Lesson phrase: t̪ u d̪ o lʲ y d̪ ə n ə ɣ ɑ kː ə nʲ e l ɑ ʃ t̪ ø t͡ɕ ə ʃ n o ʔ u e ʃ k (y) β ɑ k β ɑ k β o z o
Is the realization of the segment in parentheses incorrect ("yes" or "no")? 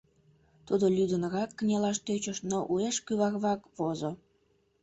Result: no